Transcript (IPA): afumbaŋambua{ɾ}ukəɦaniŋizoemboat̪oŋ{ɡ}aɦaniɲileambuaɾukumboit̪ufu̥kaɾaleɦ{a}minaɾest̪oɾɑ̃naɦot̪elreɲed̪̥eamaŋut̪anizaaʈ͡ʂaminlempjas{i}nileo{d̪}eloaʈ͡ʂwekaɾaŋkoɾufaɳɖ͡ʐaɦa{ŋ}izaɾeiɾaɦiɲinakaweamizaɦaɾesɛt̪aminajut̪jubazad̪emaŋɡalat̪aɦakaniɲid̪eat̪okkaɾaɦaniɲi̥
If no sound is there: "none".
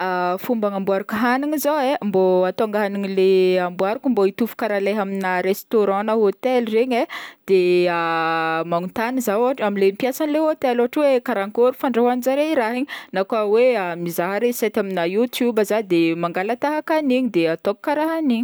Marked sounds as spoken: ɾ, ɡ, a, a, t̪, n

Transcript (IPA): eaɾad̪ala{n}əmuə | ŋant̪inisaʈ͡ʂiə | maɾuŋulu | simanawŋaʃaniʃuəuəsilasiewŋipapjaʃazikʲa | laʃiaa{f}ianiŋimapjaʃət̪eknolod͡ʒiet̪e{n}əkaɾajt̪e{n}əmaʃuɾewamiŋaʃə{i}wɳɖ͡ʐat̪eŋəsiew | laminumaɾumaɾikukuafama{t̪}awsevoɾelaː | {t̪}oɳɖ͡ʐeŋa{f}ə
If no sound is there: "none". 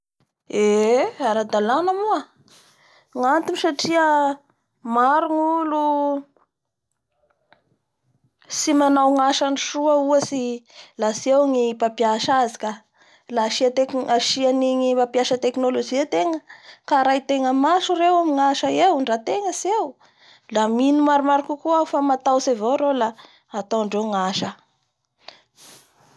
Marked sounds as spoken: n, ʃ, ŋ, ŋ, e, t̪, t̪, ʃ

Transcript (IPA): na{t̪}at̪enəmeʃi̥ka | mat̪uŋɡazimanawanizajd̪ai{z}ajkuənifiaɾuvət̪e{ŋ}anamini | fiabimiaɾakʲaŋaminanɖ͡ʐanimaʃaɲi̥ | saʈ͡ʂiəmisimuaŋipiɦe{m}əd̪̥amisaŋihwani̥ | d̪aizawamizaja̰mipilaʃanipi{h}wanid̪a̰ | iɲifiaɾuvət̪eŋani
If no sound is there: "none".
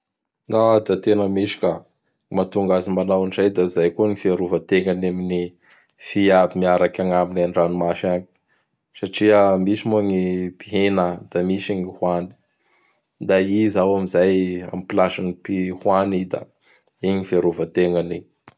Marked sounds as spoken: d̪, z, ŋ, n, h

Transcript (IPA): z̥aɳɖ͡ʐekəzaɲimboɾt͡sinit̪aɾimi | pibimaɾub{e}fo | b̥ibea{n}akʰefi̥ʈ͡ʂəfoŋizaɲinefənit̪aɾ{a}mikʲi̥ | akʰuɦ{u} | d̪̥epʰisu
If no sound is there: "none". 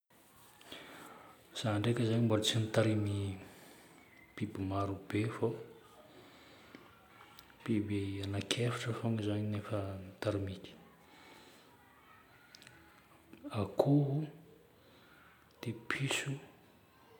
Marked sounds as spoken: e, n, i, u

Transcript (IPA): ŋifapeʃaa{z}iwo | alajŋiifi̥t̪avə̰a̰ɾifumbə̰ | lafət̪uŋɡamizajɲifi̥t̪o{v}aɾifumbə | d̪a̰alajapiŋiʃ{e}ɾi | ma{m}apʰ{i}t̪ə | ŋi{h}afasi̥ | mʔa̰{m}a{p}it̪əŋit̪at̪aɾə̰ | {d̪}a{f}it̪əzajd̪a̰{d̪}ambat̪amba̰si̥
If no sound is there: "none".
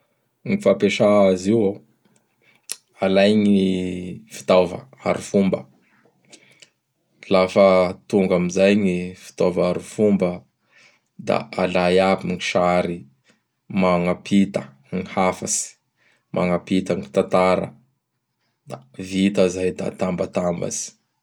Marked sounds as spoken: z, v, a, ŋ, i, h, ŋ, p, d̪, v, t̪

